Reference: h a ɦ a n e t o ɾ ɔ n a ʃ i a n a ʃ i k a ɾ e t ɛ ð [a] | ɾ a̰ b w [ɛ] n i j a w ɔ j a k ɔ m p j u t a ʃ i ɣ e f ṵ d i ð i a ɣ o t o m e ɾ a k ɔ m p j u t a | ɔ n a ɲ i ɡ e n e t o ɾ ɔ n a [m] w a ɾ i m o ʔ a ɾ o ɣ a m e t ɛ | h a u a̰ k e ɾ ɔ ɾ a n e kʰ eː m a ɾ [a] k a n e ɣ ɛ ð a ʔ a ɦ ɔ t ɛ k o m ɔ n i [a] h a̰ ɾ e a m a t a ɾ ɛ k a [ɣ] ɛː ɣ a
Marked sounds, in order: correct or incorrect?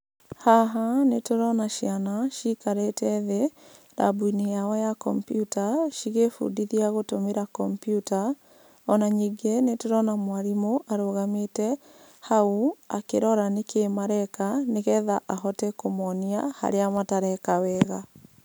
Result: incorrect: e, incorrect: i, correct, incorrect: ɛ, correct, incorrect: w

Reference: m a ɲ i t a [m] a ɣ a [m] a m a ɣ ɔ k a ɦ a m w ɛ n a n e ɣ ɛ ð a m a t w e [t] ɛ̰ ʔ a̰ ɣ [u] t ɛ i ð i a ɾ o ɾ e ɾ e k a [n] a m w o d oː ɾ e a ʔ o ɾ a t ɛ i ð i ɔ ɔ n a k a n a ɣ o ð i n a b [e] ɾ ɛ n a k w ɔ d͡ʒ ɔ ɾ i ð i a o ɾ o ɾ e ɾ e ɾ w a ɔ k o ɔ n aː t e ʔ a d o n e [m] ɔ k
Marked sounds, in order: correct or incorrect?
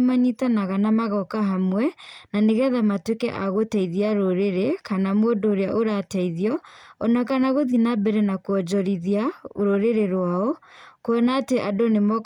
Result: incorrect: n, incorrect: n, incorrect: k, incorrect: o, correct, incorrect: ɛ, correct

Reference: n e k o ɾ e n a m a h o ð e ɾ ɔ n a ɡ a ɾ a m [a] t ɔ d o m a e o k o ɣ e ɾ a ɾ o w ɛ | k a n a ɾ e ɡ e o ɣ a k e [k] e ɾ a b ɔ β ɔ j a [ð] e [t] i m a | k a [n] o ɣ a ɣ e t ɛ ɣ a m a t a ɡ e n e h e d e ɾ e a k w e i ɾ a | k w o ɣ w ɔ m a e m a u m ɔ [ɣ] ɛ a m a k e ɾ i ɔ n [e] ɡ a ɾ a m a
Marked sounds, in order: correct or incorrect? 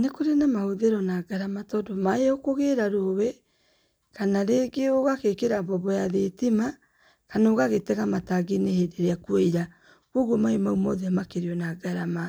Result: correct, correct, correct, correct, correct, incorrect: ð, incorrect: a

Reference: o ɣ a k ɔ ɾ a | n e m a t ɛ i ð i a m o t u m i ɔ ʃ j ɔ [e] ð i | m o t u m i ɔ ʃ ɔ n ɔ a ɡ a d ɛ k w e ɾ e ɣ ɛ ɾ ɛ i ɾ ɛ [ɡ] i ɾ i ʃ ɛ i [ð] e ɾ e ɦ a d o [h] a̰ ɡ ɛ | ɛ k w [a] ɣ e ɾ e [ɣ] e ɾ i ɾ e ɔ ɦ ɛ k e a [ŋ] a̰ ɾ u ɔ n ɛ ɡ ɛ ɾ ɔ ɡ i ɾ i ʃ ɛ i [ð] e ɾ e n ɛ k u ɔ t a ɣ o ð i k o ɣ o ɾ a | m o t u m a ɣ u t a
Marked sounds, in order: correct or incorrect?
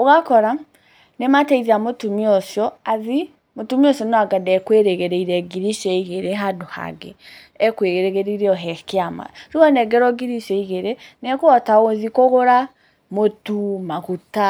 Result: incorrect: a, correct, incorrect: ɣ, correct, incorrect: e, correct, incorrect: m, incorrect: ɣ

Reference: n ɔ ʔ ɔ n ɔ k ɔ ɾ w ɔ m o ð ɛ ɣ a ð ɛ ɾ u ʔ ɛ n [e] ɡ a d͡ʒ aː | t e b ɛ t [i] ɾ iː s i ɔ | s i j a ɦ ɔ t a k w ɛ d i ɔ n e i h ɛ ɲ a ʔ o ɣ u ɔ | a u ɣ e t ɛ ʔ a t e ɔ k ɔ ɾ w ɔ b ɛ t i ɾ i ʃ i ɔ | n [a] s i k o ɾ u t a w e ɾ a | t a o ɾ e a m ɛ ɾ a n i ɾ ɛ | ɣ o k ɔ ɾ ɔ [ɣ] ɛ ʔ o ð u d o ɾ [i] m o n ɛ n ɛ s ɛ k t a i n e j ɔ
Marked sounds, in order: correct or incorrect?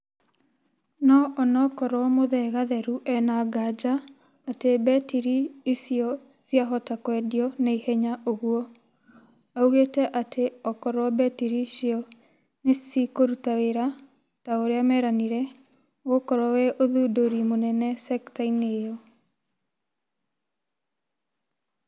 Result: incorrect: a, correct, incorrect: e, incorrect: w, correct

